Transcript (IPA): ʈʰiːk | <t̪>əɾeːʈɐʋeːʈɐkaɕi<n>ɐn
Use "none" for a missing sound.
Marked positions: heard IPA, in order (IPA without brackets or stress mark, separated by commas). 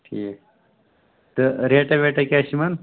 t̪, m